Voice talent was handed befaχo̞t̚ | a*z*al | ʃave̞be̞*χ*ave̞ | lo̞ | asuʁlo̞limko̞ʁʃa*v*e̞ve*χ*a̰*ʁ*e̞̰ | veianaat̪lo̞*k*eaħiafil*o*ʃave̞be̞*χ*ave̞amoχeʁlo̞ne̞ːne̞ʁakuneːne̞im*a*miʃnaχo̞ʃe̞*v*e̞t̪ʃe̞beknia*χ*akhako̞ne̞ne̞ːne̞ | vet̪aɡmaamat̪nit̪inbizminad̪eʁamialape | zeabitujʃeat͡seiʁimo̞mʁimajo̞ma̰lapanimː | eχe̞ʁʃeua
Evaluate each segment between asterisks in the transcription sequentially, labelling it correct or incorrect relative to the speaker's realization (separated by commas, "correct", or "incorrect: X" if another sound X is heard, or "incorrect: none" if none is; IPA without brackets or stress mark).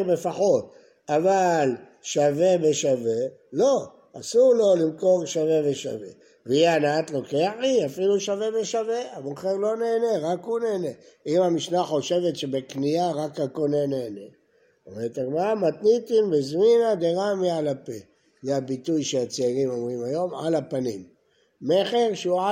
incorrect: v, incorrect: ʃ, correct, incorrect: ʃ, incorrect: v, correct, incorrect: u, incorrect: ʃ, correct, correct, incorrect: ʁ